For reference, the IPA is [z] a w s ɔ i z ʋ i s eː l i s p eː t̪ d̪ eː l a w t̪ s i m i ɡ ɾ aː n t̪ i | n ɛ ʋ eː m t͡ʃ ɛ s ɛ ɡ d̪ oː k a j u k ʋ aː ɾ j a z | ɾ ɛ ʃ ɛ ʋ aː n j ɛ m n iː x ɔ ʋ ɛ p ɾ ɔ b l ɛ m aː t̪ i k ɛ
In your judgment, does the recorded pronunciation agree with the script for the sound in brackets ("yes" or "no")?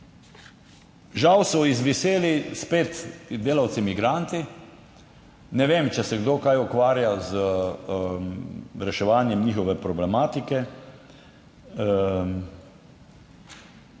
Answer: no